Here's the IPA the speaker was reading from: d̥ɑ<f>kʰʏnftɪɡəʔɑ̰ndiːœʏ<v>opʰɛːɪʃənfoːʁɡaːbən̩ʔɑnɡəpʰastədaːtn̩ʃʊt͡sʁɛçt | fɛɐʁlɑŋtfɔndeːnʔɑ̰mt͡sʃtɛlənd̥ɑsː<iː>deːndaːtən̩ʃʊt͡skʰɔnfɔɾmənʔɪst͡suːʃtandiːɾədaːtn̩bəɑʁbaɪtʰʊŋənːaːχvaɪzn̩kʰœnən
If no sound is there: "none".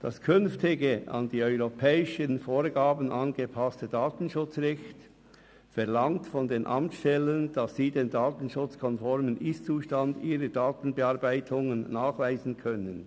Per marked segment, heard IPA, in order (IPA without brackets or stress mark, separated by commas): s, ʁ, iː